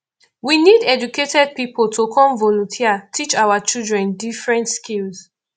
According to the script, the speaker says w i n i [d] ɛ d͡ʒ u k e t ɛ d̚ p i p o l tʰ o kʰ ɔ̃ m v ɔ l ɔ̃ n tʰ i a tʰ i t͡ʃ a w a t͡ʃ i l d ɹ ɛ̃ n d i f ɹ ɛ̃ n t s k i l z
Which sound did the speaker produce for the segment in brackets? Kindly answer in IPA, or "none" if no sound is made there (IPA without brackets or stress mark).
d